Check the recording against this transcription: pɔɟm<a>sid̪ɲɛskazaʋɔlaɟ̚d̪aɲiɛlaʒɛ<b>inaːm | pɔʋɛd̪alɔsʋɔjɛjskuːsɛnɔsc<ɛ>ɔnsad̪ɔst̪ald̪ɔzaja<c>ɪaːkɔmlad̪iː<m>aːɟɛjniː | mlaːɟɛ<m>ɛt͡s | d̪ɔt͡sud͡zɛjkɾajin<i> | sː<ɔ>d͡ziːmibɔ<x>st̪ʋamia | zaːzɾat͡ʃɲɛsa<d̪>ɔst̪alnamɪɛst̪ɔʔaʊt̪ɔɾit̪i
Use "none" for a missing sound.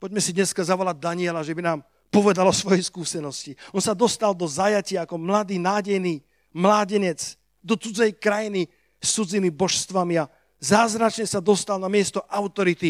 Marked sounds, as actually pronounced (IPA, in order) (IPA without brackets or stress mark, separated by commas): ɛ, b, i, c, n, ɲ, i, u, ʃ, d̪